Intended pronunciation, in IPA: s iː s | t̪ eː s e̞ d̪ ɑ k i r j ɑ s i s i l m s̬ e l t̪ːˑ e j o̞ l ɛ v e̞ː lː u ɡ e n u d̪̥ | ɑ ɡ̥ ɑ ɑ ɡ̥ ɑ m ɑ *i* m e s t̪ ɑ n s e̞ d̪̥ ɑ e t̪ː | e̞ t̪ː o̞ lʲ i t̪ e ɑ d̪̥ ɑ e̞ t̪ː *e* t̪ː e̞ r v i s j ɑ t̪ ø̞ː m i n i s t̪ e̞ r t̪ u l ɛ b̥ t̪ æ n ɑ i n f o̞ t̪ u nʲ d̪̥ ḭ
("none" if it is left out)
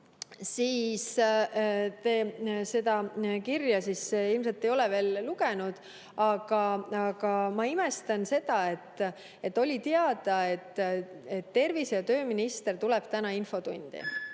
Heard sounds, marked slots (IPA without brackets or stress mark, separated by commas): i, e